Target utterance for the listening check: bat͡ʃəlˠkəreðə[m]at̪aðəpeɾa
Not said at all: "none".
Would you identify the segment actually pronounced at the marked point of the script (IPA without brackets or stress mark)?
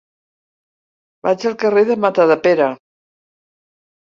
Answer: m